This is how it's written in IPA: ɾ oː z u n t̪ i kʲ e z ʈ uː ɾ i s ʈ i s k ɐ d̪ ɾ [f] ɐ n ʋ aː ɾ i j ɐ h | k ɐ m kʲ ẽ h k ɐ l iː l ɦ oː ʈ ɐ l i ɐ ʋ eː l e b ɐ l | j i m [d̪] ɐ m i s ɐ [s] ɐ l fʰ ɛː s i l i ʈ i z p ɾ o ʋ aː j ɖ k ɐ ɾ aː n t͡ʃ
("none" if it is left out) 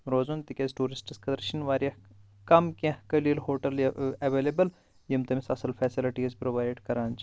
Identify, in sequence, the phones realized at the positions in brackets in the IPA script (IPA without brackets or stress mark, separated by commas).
ʃ, t̪, s